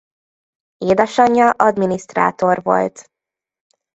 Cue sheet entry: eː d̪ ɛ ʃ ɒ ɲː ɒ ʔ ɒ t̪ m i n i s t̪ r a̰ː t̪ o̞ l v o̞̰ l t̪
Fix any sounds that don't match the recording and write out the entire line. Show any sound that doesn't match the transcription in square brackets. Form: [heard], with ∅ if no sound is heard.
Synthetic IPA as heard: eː d̪ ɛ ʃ ɒ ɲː ɒ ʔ ɒ [d̪] m i n i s t̪ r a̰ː t̪ o̞ [r] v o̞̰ l t̪

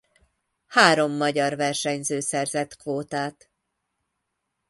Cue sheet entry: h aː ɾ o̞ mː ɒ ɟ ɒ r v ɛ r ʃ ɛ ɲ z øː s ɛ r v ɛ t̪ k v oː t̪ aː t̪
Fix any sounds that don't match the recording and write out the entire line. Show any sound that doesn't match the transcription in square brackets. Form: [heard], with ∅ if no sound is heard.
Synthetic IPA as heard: h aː ɾ o̞ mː ɒ ɟ ɒ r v ɛ r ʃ ɛ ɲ z øː s ɛ r [z] ɛ t̪ k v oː t̪ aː t̪

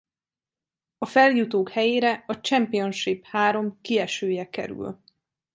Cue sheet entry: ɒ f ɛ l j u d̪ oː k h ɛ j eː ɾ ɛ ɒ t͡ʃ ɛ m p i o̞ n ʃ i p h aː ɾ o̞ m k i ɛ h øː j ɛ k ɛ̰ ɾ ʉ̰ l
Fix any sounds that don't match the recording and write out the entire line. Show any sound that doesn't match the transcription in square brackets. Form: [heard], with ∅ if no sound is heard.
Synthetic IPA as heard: ɒ f ɛ l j u [t̪] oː k h ɛ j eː ɾ ɛ ɒ t͡ʃ ɛ m p i o̞ n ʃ i p h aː ɾ o̞ m k i ɛ [ʃ] øː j ɛ k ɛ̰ ɾ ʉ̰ l

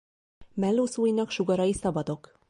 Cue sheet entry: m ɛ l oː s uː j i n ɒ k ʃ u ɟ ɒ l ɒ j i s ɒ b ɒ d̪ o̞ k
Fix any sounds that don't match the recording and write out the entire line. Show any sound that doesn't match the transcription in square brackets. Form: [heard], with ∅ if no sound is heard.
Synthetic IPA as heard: m ɛ [lː] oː s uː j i n ɒ k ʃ u [ɡ] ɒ [ɾ] ɒ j i s ɒ b ɒ d̪ o̞ k

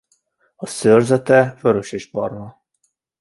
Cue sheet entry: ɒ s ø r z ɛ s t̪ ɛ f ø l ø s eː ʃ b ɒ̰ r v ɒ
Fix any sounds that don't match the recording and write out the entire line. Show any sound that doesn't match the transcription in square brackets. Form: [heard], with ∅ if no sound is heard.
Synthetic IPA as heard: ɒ s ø r z ɛ [∅] t̪ ɛ f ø [ɾ] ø [ʃ] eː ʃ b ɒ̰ r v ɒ

